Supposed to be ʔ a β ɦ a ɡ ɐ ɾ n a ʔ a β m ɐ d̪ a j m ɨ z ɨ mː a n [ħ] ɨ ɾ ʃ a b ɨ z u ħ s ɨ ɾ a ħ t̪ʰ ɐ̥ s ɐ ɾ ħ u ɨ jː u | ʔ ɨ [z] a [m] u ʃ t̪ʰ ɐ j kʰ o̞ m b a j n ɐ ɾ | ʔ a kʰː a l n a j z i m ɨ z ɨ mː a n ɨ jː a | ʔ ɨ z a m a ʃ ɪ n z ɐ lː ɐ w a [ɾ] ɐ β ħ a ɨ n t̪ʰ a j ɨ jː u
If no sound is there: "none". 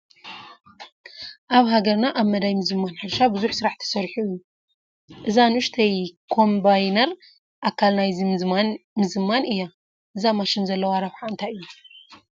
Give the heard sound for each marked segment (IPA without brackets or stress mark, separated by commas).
ħ, z, n, ɾ